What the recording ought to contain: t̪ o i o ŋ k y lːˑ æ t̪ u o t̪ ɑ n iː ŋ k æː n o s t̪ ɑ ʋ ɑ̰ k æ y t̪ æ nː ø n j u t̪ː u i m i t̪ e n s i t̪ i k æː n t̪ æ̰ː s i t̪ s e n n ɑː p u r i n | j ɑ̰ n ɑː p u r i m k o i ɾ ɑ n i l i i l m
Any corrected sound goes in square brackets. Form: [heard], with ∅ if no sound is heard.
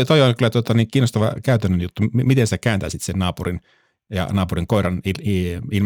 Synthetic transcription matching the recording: t̪ o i o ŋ k y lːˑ æ t̪ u o t̪ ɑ n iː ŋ k [iː] n o s t̪ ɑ ʋ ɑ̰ k æ y t̪ æ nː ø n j u t̪ː u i m i t̪ e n s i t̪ [æ] k æː n t̪ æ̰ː s i t̪ s e n n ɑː p u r i n | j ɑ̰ n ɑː p u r i [ŋ] k o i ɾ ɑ n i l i i l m